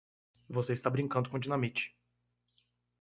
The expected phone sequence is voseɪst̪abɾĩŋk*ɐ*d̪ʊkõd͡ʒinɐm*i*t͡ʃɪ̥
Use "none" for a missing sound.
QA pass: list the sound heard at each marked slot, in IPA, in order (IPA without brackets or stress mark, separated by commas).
ɐ̃, i